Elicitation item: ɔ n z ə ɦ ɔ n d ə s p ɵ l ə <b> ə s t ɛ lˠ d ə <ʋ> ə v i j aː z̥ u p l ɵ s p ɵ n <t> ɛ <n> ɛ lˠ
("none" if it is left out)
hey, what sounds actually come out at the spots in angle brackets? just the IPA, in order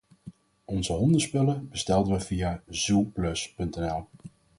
b, ʋ, t, n

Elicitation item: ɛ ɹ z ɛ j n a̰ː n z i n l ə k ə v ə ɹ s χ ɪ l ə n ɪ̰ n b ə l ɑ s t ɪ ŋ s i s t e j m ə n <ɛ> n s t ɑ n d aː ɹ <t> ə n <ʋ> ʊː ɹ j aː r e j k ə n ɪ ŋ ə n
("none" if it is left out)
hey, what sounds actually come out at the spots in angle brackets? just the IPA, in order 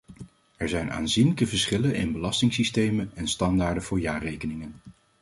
ɛ, d, v

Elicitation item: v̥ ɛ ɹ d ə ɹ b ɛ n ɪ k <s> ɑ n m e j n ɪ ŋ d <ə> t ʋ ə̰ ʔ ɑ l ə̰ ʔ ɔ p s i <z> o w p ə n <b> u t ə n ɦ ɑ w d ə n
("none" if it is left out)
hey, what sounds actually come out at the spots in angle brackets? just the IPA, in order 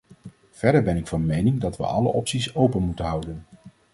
f, ɑ, s, m

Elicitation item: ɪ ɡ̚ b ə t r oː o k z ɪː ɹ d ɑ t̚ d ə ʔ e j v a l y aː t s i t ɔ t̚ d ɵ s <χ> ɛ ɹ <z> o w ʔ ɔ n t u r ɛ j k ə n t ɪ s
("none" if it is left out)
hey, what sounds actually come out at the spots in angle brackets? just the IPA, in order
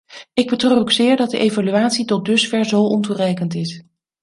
f, z

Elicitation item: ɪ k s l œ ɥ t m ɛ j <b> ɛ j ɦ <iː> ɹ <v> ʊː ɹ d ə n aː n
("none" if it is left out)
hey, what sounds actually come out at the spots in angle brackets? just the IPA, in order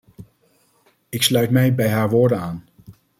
b, aː, ʋ

